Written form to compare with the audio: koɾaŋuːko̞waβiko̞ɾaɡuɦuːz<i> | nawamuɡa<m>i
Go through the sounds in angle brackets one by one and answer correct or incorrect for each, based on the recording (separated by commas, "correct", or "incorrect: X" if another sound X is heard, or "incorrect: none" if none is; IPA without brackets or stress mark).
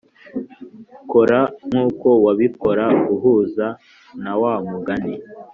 incorrect: a, incorrect: n